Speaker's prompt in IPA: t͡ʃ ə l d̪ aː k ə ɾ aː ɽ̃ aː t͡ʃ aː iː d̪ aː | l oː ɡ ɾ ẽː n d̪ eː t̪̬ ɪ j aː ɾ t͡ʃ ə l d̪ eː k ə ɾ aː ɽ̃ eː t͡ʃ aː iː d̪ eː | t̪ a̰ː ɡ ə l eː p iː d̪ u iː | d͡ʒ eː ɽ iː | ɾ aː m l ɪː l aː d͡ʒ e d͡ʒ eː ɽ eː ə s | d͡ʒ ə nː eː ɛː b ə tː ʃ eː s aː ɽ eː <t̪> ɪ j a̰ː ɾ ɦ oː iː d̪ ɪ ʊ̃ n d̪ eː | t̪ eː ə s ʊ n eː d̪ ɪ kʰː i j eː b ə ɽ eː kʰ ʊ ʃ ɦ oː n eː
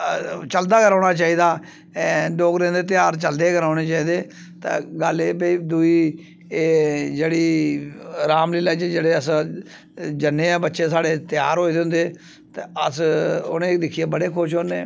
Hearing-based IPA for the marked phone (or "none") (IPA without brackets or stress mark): t̪